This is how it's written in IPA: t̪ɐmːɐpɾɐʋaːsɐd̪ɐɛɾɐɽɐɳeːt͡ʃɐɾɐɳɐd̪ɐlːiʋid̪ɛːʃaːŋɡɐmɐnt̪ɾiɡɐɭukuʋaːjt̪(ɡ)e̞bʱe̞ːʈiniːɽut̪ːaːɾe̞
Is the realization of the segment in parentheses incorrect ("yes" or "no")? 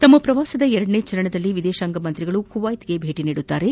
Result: no